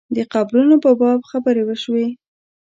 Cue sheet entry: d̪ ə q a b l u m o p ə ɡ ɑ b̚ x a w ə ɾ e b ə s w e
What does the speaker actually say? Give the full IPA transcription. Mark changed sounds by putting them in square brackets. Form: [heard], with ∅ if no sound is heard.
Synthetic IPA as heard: d̪ ə q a b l u [n] o p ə [b] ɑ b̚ x a [b] ə ɾ e [w] ə [ʃ] w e

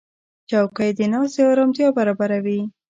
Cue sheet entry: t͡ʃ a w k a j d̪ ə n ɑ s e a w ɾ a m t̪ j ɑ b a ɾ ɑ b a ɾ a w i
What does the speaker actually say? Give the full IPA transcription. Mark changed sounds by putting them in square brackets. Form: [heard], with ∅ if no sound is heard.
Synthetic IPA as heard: t͡ʃ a w k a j d̪ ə n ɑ s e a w ɾ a m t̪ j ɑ b a ɾ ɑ b a ɾ a w i

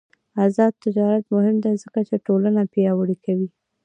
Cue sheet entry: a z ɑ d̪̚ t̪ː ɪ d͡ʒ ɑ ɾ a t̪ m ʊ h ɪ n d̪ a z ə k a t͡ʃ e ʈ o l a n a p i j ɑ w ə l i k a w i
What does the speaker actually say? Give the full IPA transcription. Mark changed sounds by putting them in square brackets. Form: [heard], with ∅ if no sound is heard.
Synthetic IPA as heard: a z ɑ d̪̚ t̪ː ɪ d͡ʒ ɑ ɾ a t̪ m ʊ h ɪ [m] d̪ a z ə k a t͡ʃ e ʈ o l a n a p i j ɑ w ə [ɽ] i k a w i

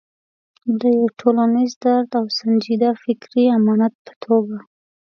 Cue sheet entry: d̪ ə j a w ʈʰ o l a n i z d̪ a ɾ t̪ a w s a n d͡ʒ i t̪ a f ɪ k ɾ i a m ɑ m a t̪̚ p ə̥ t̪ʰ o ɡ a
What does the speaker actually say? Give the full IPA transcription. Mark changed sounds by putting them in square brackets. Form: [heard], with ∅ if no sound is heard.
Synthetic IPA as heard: d̪ ə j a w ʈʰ o l a n i z d̪ a ɾ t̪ a w s a n d͡ʒ i [d̪] a f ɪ k ɾ i a m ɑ [n] a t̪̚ p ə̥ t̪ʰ o ɡ a

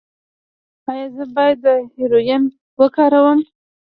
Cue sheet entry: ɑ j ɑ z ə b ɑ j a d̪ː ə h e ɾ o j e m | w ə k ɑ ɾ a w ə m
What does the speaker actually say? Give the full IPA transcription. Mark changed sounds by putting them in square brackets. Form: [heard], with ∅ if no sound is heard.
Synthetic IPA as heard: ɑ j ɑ z ə b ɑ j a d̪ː ə h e ɾ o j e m | w ə k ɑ ɾ a w ə m

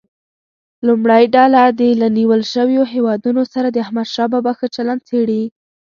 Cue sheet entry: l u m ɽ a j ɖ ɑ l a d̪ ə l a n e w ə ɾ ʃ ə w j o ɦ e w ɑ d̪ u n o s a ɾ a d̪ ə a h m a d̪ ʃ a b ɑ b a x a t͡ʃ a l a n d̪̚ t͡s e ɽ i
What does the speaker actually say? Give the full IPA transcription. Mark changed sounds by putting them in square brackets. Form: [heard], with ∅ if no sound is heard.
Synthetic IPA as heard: l u m ɽ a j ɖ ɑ l a d̪ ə l a n [i] w ə [l] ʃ ə w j o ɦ e w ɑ d̪ u n o s a ɾ a d̪ ə a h m a d̪ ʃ [ɑ] b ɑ b a x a t͡ʃ a l a n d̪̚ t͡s e ɽ i

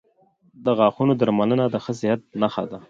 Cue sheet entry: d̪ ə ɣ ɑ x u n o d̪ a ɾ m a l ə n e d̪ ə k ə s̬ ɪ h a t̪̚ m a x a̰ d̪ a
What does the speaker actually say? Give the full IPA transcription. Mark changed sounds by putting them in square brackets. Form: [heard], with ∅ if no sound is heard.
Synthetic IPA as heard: d̪ ə ɣ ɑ x u n o d̪ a ɾ m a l ə n [a] d̪ ə [x] ə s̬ ɪ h a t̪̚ [n] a x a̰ d̪ a

